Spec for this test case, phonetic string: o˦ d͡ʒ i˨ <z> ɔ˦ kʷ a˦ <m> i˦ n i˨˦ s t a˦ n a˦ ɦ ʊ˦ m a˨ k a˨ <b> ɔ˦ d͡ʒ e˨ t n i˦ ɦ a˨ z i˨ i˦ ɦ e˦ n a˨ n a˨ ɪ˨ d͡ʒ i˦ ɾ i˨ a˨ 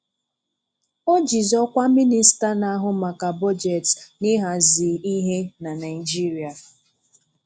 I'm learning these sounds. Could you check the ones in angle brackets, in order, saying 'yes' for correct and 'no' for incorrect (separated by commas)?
yes, yes, yes